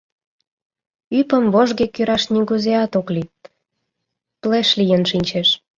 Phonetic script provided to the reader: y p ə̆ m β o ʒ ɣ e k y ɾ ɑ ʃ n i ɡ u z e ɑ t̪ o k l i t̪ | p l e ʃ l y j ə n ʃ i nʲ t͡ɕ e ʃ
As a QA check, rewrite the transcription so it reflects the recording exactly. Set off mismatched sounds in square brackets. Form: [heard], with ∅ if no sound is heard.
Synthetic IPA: y p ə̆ m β o ʒ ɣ e k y ɾ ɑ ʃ n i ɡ u z e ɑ t̪ o k l i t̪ | p l e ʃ l [i] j ə n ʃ i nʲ t͡ɕ e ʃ